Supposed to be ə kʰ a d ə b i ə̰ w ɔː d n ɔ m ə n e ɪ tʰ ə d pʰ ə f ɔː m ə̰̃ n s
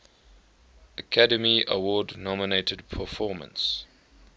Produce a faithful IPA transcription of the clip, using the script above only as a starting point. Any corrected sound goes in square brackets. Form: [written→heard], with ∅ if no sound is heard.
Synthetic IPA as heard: ə kʰ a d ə [b→m] i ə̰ w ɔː d n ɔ m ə n e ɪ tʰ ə d pʰ ə f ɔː m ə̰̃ n s